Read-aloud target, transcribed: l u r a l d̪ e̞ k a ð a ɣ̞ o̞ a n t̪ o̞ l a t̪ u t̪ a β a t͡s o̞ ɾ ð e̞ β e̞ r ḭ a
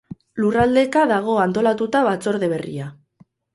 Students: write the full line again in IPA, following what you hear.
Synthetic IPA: l u r a l d̪ e̞ k a ð a ɣ̞ o̞ a n t̪ o̞ l a t̪ u t̪ a β a t͡s o̞ ɾ ð e̞ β e̞ r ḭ a